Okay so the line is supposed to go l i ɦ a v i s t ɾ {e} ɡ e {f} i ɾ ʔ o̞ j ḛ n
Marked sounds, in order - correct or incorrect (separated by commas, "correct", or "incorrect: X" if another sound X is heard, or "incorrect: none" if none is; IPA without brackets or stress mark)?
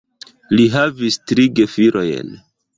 incorrect: i, correct